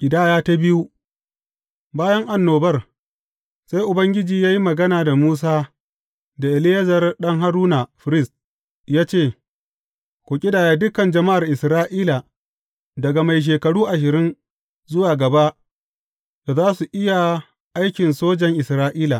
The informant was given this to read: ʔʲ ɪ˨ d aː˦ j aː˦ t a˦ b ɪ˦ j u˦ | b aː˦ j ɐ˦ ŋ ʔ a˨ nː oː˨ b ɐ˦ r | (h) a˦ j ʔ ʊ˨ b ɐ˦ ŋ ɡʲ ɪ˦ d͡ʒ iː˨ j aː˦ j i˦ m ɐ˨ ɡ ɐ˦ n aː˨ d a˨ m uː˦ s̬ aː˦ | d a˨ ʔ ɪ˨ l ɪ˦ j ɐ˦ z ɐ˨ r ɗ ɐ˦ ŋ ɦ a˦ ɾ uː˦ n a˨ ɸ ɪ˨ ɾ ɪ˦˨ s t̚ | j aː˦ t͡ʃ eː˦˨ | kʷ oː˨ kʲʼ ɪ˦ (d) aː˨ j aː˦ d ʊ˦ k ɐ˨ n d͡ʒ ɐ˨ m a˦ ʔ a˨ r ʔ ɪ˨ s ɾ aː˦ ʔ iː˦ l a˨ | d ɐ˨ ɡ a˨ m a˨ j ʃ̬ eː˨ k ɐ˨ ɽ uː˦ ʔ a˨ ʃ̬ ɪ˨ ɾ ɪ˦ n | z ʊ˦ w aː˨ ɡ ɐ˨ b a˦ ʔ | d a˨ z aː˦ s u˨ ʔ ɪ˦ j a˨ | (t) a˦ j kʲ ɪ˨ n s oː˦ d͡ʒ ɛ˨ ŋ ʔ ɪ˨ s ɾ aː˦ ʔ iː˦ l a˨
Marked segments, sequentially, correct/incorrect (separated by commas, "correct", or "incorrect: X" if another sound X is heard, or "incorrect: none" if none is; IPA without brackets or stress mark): incorrect: s, correct, incorrect: ʔ